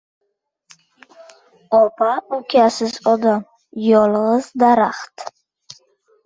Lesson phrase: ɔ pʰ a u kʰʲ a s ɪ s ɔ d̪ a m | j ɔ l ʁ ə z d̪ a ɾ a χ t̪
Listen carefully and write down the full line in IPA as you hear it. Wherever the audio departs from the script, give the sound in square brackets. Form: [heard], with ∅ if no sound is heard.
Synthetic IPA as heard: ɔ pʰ a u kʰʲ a s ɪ [z] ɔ d̪ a m | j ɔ l ʁ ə z d̪ a ɾ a χ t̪